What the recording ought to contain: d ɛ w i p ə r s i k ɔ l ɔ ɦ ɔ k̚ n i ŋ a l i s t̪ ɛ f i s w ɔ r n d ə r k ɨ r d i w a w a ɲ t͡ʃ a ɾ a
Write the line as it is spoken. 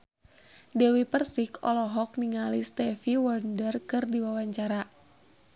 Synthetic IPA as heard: d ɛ w i p ə r s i k ɔ l ɔ ɦ ɔ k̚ n i ŋ a l i s t̪ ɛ f i w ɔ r n d ə r k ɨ r d i w a w a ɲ t͡ʃ a ɾ a